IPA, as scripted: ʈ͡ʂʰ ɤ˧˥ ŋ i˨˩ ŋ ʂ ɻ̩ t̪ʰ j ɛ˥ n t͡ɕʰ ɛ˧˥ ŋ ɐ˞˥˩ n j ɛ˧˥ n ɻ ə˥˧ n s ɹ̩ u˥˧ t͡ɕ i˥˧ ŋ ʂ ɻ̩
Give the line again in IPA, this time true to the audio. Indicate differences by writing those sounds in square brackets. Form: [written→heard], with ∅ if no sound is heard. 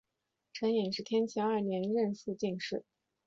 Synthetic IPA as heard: ʈ͡ʂʰ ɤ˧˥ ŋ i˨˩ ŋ ʂ ɻ̩ t̪ʰ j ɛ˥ n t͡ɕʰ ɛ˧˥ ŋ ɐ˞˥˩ n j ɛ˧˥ n ɻ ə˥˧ n s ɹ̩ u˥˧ t͡ɕ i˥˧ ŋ ʂ ɻ̩